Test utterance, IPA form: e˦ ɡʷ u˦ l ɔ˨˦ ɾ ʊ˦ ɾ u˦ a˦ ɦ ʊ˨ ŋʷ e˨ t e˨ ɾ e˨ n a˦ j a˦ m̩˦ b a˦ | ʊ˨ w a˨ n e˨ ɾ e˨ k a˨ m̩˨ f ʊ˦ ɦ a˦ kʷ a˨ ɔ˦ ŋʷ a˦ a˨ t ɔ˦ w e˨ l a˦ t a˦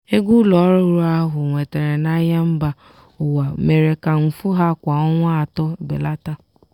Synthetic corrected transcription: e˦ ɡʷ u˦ l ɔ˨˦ ɾ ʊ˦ ɾ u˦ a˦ ɦ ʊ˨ ŋʷ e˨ t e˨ ɾ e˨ n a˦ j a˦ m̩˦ b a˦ | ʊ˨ w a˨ m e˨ ɾ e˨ k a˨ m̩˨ f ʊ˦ ɦ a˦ kʷ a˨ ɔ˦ ŋʷ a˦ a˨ t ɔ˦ b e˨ l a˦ t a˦